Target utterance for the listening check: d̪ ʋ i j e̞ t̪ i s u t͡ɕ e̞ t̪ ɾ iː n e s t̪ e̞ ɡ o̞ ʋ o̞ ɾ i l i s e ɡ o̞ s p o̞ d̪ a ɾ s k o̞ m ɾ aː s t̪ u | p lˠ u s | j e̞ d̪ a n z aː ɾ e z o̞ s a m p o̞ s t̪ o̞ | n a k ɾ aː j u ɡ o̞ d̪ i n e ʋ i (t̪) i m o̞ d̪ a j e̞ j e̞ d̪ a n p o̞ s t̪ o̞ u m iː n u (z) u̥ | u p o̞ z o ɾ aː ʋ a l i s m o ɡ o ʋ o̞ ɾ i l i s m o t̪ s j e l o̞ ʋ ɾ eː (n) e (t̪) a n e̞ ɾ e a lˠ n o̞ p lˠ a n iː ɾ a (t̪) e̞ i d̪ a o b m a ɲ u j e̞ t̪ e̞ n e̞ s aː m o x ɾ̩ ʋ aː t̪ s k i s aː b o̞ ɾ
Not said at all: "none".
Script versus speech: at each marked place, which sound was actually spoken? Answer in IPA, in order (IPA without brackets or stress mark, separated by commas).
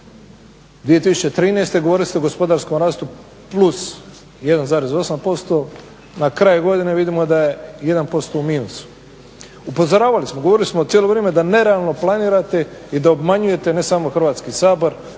d̪, s, m, d̪, t̪